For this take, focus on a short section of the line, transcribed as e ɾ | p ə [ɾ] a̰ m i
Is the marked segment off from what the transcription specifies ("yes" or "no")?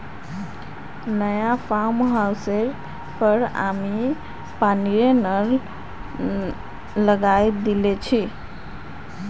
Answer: no